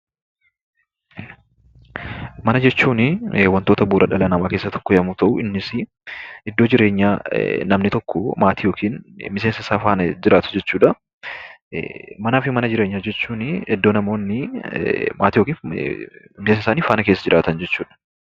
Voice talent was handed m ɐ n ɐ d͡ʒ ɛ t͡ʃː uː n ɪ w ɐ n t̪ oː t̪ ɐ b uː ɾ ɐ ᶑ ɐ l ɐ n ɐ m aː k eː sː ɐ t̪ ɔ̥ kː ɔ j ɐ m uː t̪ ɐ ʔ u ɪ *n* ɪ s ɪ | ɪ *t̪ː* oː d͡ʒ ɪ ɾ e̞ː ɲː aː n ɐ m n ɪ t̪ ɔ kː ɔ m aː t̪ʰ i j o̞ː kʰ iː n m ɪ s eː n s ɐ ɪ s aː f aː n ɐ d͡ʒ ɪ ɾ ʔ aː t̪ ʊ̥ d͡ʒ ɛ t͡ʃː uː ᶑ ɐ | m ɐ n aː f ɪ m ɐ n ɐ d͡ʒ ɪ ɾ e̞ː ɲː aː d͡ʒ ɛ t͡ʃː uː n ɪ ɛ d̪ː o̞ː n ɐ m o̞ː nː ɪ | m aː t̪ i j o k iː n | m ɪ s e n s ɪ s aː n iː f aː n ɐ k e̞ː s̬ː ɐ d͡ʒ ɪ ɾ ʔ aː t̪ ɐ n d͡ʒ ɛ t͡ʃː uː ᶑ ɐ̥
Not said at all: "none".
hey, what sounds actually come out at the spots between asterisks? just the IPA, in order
nː, d̪ː

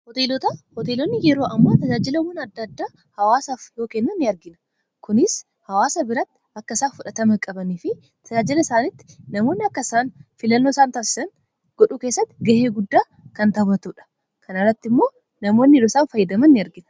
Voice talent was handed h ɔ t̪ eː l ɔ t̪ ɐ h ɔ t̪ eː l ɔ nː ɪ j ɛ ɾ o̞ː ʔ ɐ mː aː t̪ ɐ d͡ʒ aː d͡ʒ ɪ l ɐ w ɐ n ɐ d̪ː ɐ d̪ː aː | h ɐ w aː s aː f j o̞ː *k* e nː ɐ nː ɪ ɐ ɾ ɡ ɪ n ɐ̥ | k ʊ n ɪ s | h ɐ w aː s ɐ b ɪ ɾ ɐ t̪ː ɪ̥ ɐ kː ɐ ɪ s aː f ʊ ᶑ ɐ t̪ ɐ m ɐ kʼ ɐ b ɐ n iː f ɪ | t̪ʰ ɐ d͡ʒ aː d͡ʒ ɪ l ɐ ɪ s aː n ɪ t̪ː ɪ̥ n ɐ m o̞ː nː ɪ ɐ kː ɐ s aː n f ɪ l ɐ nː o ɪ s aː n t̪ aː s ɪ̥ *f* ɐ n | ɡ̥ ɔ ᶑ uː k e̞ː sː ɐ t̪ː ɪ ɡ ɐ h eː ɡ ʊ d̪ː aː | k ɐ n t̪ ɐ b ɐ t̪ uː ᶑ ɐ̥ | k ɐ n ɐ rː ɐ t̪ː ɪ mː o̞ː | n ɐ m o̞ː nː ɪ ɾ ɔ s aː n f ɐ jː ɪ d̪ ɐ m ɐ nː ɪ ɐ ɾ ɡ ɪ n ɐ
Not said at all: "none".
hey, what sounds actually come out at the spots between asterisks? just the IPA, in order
k, s

